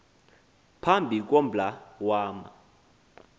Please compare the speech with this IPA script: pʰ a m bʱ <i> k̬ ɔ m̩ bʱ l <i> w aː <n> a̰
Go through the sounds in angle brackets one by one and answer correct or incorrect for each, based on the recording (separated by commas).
correct, incorrect, incorrect